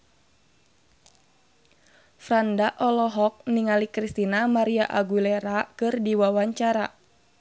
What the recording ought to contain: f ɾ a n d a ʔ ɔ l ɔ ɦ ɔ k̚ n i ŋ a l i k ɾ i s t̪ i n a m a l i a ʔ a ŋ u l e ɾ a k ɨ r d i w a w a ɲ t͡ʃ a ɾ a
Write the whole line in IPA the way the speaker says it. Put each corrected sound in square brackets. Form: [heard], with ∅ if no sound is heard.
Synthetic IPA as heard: f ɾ a n d a ʔ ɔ l ɔ ɦ ɔ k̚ n i ŋ a l i k ɾ i s t̪ i n a m a [ɾ] i a ʔ a [ɡ] u l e ɾ a k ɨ r d i w a w a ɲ t͡ʃ a ɾ a